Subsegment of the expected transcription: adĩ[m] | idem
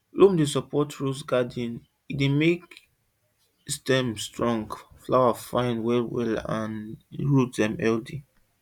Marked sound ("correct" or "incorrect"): incorrect